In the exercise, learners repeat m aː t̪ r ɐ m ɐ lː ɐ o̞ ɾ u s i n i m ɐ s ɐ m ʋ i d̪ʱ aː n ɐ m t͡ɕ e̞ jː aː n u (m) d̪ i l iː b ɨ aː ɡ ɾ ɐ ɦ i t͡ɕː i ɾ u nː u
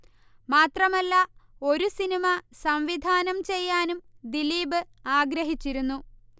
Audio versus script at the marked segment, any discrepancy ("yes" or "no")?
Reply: no